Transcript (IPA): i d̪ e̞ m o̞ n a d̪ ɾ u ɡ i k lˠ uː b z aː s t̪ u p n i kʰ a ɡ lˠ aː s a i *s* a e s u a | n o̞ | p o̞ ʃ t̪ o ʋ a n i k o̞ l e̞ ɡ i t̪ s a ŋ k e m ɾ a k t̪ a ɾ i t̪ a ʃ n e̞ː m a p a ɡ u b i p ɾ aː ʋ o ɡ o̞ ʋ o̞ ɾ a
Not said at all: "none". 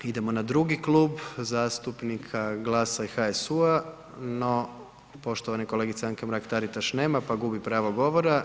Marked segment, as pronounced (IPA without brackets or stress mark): x